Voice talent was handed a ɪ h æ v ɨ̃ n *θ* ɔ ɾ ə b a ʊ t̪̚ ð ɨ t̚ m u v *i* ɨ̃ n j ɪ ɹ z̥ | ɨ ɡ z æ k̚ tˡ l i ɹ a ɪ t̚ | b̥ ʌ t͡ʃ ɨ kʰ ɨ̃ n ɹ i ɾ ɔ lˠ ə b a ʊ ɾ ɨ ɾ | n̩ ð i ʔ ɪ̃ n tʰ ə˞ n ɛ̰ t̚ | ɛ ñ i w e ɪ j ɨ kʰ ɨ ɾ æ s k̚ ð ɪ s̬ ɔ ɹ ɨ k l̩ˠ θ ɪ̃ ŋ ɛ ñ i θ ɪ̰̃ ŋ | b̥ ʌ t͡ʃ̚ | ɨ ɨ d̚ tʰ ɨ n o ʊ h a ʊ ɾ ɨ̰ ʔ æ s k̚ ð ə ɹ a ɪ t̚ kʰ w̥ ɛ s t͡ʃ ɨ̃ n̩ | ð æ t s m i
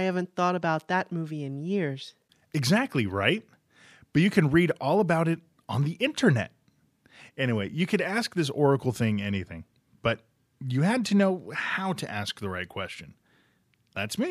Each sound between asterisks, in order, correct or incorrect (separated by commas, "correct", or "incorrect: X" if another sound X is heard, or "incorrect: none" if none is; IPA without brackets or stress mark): correct, correct